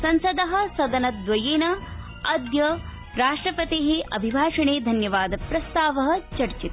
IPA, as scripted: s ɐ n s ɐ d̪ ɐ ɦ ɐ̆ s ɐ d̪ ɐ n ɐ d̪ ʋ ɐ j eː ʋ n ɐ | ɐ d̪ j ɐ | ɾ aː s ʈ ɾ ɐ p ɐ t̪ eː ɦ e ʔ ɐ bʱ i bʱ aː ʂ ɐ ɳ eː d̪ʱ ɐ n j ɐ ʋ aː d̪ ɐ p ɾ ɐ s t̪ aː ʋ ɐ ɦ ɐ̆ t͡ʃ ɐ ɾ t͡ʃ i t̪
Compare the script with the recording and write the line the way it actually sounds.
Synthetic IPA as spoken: s ɐ n s ɐ d̪ ɐ ɦ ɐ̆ s ɐ d̪ ɐ n ɐ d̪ ʋ ɐ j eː n ɐ | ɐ d̪ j ɐ | ɾ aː ʂ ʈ ɾ ɐ p ɐ t̪ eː ɦ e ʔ ɐ bʱ i bʱ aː ʂ ɐ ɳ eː d̪ʱ ɐ n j ɐ ʋ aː d̪ ɐ p ɾ ɐ s t̪ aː ʋ ɐ ɦ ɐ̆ t͡ʃ ɐ ɾ t͡ʃ i t̪

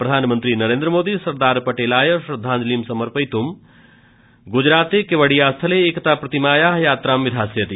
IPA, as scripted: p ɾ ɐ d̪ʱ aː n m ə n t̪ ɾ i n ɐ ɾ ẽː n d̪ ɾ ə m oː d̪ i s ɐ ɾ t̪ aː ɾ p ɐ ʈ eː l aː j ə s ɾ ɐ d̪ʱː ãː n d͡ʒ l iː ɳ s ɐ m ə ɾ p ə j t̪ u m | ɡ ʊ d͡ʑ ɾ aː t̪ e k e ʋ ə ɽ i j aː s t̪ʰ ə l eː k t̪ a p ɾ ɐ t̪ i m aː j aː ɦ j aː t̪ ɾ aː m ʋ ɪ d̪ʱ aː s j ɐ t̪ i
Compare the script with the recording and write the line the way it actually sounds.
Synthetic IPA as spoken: p ɾ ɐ d̪ʱ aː n m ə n t̪ ɾ i n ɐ ɾ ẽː n d̪ ɾ ə m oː d̪ i s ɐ ɾ d̪ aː ɾ p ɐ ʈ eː l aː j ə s ɾ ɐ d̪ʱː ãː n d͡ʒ l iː m s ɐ m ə ɾ p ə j t̪ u m | ɡ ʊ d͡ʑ ɾ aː t̪ e k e ʋ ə ɽ i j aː s t̪ʰ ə l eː k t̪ a p ɾ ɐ t̪ i m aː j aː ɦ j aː t̪ ɾ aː m ʋ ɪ d̪ʱ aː s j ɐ t̪ i

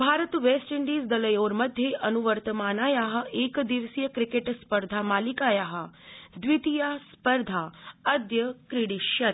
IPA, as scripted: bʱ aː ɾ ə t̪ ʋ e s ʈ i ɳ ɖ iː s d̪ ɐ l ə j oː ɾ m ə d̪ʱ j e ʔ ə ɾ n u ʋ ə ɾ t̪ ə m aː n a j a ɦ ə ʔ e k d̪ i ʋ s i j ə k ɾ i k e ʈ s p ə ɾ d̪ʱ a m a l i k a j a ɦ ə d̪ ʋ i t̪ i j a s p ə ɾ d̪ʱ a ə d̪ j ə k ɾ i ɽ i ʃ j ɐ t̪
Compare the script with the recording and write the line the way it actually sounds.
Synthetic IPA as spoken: bʱ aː ɾ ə t̪ ʋ e s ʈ i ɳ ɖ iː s d̪ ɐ l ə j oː ɾ m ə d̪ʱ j e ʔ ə n u ʋ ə ɾ t̪ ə m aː n a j a ɦ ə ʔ e k d̪ i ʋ s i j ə k ɾ i k e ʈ s p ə ɾ d̪ʱ a m a l i k a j a ɦ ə d̪ ʋ i t̪ i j a s p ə ɾ d̪ʱ a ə d̪ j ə k ɾ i ɽ i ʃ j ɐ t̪

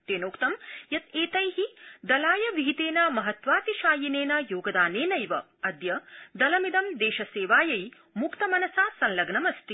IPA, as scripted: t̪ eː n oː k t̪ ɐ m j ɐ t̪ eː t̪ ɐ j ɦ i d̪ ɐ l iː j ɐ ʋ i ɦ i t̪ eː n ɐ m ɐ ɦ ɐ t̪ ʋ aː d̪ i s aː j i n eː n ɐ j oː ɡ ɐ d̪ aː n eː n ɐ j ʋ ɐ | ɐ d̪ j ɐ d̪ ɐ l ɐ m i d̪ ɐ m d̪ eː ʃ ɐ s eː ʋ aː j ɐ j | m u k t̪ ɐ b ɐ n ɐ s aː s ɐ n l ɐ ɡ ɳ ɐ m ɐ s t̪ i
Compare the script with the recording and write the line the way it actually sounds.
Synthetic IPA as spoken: t̪ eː n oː k t̪ ɐ m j ɐ t̪ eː t̪ ɐ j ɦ i d̪ ɐ l aː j ɐ ʋ i ɦ i t̪ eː n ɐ m ɐ ɦ ɐ t̪ ʋ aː t̪ i ʃ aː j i n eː n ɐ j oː ɡ ɐ d̪ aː n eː n ɐ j ʋ ɐ | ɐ d̪ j ɐ d̪ ɐ l ɐ m i d̪ ɐ m d̪ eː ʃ ɐ s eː ʋ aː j ɐ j | m u k t̪ ɐ m ɐ n ɐ s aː s ɐ n l ɐ ɡ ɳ ɐ m ɐ s t̪ i

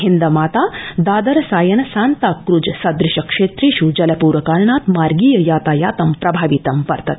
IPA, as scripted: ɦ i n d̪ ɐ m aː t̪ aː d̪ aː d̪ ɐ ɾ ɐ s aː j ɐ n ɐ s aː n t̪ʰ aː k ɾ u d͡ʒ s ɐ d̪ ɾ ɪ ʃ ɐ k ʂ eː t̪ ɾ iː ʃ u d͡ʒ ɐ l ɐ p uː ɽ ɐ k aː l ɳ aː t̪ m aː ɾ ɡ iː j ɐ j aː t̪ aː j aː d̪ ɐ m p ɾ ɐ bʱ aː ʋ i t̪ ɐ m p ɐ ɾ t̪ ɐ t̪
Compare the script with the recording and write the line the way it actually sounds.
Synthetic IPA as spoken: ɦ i n d̪ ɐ m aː t̪ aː d̪ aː d̪ ɐ ɾ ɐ s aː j ɐ n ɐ s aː n t̪ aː k ɾ u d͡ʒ s ɐ d̪ ɾ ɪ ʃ ɐ k ʂ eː t̪ ɾ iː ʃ u d͡ʒ ɐ l ɐ p uː ɾ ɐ k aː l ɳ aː t̪ m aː ɾ ɡ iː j ɐ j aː t̪ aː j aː t̪ ɐ m p ɾ ɐ bʱ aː ʋ i t̪ ɐ m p ɐ ɾ t̪ ɐ t̪

